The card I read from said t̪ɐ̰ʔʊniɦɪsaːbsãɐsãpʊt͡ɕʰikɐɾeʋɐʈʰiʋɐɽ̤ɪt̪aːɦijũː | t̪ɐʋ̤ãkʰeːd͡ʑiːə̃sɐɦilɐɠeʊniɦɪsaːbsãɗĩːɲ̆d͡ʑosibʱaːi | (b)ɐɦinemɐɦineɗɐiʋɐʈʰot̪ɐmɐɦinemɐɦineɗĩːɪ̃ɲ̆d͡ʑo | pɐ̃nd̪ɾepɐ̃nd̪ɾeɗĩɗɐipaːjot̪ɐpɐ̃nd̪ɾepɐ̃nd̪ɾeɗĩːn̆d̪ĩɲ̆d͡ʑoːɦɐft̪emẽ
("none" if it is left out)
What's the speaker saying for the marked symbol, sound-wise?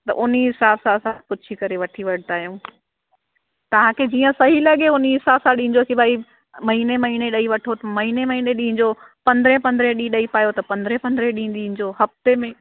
m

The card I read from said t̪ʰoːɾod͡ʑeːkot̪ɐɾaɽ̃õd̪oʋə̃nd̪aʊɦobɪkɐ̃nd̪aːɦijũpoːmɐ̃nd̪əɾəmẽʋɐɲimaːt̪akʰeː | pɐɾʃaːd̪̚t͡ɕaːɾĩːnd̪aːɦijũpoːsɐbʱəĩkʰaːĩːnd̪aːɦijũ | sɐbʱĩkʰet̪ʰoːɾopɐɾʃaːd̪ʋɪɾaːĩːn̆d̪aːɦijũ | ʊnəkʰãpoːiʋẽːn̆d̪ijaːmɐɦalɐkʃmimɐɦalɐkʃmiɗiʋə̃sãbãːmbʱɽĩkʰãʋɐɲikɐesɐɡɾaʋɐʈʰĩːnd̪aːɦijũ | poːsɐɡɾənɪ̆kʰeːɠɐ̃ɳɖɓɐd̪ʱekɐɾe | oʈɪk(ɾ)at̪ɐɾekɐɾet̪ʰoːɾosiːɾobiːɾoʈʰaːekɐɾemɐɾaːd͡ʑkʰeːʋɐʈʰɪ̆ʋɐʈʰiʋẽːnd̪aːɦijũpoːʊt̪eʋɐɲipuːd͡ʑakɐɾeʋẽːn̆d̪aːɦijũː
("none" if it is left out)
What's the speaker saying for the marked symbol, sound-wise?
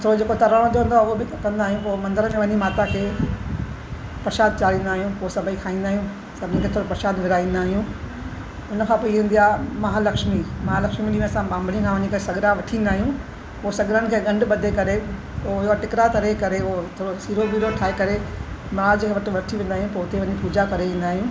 ɾ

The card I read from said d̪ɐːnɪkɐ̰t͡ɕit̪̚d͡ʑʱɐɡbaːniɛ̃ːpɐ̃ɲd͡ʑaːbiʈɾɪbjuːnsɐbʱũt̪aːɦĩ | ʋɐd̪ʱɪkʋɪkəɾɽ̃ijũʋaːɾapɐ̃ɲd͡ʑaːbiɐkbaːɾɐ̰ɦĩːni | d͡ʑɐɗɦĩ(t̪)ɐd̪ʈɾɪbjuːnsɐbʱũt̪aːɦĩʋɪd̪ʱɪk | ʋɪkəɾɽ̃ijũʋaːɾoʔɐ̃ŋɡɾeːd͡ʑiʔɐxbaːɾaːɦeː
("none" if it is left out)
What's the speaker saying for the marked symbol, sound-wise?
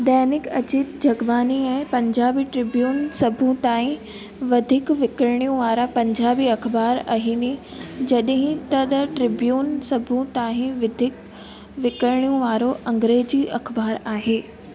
t̪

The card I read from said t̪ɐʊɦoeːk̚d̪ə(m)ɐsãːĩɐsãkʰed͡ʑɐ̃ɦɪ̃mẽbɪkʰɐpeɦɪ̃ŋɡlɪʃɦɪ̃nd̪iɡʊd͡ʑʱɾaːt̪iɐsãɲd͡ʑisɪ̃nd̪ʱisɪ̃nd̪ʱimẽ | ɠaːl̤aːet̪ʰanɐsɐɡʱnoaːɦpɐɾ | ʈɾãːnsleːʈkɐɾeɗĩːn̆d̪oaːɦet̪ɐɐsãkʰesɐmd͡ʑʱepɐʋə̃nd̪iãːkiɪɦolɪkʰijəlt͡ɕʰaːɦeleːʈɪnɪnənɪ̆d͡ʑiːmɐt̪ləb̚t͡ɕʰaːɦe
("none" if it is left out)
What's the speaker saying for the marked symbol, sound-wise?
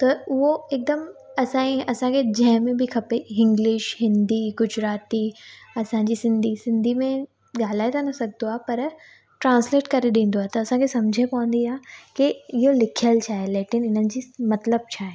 m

